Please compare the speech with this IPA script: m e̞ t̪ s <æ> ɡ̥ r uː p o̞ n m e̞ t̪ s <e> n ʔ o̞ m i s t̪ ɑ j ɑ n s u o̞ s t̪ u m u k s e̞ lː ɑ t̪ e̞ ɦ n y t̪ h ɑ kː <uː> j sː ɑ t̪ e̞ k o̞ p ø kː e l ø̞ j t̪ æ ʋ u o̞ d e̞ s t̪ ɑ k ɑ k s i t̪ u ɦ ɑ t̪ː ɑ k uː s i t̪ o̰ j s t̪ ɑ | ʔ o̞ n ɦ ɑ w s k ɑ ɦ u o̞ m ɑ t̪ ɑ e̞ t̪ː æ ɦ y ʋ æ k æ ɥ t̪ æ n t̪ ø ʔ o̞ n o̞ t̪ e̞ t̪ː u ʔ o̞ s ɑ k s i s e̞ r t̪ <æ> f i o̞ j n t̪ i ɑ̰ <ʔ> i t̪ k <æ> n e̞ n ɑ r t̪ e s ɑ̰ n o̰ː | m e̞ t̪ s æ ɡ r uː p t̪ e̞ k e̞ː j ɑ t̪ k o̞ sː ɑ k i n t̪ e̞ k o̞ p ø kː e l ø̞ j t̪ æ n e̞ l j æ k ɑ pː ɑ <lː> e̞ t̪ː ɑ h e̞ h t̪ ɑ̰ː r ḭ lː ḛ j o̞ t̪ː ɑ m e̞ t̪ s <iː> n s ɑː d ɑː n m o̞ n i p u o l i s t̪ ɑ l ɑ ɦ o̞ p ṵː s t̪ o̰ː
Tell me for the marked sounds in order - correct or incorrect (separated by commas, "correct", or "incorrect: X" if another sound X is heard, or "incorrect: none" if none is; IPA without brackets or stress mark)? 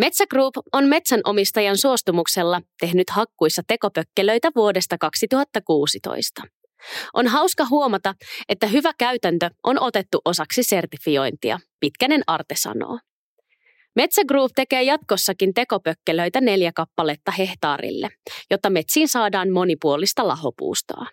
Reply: correct, incorrect: æ, incorrect: u, incorrect: i, incorrect: p, correct, incorrect: l, correct